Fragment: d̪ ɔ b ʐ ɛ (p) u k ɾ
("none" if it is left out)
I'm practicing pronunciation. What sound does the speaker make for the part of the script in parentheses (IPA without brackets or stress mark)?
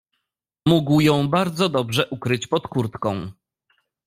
ʔ